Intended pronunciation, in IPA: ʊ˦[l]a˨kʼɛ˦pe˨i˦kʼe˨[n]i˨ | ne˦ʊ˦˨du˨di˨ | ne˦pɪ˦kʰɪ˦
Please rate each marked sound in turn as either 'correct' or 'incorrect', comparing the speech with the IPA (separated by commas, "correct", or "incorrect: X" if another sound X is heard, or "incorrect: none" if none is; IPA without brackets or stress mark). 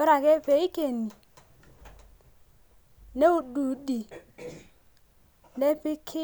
incorrect: ɾ, correct